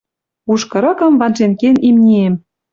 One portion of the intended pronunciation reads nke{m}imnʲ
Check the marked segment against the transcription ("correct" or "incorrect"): incorrect